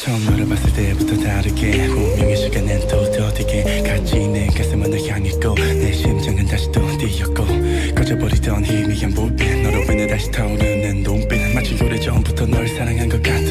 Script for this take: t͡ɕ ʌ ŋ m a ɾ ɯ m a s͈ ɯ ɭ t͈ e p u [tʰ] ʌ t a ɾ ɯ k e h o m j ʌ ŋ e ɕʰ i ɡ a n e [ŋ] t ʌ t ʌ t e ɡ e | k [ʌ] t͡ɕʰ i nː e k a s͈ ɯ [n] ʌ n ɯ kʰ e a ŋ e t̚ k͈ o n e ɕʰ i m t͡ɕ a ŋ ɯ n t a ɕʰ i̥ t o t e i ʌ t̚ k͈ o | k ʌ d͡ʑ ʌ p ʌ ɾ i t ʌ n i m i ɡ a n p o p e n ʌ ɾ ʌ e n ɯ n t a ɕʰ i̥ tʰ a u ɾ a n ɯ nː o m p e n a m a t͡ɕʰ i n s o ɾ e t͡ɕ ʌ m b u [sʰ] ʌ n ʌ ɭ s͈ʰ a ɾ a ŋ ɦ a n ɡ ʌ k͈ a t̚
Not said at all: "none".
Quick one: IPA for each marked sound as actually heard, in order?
tʰ, n, a, m, tʰ

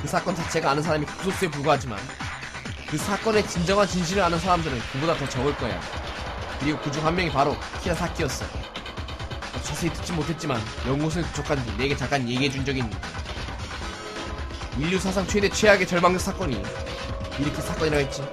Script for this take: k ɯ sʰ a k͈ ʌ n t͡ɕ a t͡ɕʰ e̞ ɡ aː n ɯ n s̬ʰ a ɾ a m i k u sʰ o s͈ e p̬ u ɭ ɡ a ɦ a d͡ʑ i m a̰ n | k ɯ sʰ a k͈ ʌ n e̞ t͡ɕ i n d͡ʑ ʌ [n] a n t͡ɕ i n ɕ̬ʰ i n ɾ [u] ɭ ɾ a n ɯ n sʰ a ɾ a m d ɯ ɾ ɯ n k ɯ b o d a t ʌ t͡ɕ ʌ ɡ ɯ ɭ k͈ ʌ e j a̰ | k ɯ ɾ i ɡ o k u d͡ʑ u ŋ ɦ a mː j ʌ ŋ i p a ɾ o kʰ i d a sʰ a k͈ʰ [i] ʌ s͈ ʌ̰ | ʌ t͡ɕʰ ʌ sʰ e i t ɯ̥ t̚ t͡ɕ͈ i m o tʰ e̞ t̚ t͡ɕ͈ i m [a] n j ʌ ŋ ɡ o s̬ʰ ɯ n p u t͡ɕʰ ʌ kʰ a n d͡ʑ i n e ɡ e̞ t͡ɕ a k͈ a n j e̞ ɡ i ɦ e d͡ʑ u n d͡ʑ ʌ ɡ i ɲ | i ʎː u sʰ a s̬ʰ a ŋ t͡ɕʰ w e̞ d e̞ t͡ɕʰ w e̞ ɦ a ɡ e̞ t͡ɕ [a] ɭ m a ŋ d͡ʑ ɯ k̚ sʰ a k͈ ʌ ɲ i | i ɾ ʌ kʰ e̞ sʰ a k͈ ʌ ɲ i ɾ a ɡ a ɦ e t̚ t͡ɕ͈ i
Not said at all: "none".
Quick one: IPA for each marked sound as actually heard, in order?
ŋ, ɯ, i, a, ʌ

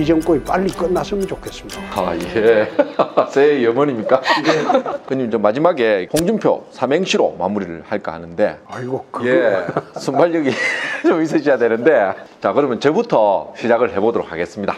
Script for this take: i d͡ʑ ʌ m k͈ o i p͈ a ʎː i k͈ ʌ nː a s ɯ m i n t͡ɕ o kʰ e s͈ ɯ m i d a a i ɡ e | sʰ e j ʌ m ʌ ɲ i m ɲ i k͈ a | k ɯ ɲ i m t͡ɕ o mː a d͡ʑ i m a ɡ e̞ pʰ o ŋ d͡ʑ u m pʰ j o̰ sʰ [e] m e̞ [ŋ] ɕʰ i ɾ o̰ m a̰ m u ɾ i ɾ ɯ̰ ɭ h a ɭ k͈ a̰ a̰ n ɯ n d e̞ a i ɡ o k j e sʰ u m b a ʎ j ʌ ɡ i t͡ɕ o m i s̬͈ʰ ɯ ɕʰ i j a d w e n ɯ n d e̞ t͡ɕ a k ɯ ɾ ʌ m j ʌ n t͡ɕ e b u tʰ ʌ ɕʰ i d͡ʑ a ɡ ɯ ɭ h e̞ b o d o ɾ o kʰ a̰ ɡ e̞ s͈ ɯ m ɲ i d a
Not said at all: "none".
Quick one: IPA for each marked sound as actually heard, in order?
a, ŋ

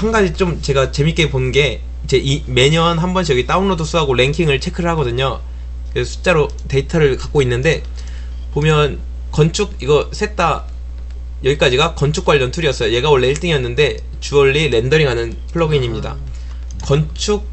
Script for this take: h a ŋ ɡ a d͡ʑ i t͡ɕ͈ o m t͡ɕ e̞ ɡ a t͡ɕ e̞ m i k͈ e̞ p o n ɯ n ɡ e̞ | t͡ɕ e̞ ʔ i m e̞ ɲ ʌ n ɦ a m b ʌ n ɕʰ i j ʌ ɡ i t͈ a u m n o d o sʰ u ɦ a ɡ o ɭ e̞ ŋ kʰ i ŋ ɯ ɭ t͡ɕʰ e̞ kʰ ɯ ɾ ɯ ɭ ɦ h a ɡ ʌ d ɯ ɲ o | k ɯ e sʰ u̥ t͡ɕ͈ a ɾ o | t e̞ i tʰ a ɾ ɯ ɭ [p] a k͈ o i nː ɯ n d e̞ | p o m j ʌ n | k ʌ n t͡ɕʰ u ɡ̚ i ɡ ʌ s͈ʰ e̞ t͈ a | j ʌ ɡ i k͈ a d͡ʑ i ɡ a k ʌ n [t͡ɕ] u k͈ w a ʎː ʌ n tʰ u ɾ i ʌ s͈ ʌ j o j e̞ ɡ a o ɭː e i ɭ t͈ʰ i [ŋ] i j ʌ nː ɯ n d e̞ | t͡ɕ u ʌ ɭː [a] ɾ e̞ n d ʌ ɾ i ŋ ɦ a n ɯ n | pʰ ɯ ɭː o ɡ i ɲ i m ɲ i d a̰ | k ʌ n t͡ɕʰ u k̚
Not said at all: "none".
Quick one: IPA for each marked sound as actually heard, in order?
k, t͡ɕʰ, ŋ, i

